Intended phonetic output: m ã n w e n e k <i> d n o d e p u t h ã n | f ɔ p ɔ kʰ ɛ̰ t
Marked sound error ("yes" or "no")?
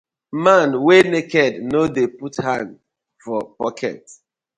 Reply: yes